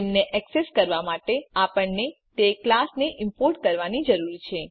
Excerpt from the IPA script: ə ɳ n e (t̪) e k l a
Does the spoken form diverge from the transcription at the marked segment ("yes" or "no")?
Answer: no